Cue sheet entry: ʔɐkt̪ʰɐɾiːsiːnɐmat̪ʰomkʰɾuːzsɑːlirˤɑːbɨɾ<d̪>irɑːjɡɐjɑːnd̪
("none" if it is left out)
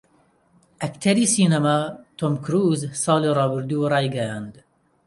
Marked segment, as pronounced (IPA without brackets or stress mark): d̪